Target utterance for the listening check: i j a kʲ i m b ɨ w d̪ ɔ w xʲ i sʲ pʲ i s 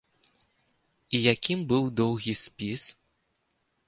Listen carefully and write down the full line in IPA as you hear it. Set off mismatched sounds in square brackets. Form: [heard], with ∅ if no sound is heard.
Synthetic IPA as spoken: i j a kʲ i m b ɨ w d̪ ɔ w [ɣʲ] i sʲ pʲ i s